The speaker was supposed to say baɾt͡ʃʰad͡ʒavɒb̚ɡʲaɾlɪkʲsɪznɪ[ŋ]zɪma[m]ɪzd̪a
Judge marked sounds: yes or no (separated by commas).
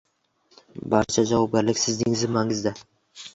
yes, no